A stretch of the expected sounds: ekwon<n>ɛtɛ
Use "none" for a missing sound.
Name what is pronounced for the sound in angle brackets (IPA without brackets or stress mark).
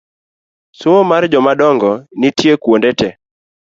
d